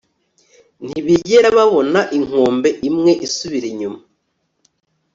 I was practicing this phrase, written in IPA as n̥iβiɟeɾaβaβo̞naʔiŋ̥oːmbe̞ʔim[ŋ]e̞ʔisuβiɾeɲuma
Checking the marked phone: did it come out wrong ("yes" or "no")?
no